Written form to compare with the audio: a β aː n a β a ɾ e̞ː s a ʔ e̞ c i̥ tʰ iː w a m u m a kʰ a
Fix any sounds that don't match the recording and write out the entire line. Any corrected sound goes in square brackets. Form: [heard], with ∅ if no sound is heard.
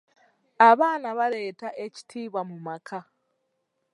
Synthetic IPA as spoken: a β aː n a β a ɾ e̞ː [t] a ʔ e̞ c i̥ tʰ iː [β] a m u m a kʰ a